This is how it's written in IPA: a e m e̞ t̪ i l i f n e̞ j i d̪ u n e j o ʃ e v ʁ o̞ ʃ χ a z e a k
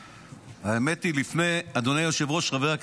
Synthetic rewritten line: a e m e̞ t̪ i l i f n e̞ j a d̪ o n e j o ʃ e v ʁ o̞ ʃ ʁ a v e a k